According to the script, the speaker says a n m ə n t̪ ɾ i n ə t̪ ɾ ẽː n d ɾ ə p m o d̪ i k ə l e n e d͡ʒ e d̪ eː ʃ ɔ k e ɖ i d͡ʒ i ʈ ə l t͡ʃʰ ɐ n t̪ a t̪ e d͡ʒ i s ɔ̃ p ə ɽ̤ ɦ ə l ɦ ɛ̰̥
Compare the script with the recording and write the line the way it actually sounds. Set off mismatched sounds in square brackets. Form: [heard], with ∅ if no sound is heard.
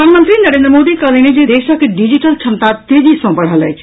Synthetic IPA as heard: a n m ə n t̪ ɾ i n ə [∅] ɾ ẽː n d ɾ ə [∅] m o d̪ i k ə l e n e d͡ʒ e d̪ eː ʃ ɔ k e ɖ i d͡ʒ i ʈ ə l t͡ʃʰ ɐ n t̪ a t̪ e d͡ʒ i s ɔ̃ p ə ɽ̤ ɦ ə l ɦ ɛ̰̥